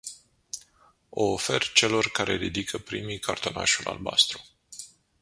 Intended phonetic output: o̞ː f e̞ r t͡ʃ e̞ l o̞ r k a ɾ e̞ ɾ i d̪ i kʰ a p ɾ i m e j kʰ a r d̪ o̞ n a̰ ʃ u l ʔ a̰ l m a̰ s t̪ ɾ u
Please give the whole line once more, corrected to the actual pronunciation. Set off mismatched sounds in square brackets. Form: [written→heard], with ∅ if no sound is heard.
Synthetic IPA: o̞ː f e̞ r t͡ʃ e̞ l o̞ r k a ɾ e̞ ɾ i d̪ i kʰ [a→ə] p ɾ i m [e→i] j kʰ a r [d̪→t̪] o̞ n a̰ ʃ u l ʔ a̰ l [m→b] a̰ s t̪ ɾ u